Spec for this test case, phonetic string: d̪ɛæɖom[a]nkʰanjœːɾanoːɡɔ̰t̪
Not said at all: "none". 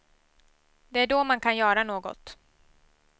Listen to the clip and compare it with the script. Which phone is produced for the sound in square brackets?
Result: a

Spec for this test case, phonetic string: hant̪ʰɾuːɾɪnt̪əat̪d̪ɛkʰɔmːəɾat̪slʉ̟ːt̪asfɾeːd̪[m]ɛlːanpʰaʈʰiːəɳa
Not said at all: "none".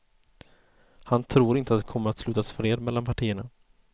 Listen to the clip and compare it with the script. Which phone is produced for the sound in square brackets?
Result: m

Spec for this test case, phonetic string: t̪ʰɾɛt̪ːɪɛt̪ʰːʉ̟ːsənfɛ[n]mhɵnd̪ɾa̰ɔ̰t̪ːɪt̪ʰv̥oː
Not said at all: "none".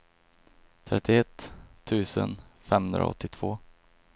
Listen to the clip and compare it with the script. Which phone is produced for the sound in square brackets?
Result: none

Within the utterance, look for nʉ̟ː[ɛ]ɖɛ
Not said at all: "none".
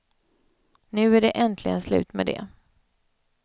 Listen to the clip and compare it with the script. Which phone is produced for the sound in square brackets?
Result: æ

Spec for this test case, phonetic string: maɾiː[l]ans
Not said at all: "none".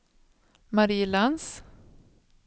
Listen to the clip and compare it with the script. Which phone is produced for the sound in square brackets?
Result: l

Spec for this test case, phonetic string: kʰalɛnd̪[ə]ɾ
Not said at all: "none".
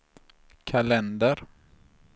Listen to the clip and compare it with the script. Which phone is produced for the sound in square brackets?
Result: ə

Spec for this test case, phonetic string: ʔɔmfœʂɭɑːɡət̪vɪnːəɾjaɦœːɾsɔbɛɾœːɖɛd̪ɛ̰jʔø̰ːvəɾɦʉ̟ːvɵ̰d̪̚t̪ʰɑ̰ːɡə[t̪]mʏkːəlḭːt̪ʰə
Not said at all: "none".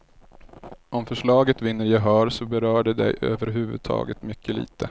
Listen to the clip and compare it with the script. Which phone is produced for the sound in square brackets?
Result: t̪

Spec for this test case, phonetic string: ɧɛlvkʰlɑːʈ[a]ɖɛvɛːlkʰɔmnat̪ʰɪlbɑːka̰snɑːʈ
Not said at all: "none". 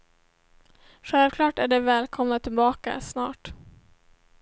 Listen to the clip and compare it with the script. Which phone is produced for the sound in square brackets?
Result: æ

